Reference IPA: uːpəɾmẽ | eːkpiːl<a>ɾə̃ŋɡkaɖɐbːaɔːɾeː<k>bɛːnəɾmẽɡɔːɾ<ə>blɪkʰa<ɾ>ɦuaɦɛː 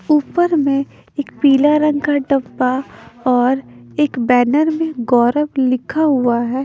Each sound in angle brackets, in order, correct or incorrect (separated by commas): correct, correct, correct, incorrect